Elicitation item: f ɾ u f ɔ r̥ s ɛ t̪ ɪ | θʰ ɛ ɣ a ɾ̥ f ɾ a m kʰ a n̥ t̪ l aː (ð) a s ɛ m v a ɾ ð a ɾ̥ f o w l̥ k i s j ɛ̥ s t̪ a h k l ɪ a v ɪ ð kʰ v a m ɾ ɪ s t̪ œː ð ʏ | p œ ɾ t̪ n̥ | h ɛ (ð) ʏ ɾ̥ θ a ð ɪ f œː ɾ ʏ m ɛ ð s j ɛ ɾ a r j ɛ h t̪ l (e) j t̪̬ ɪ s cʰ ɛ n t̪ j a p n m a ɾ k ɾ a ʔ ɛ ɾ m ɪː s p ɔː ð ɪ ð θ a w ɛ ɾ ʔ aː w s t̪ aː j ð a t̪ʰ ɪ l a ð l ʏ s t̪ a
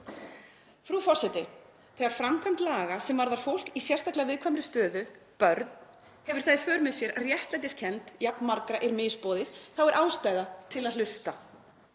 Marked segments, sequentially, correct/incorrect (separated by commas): incorrect, incorrect, incorrect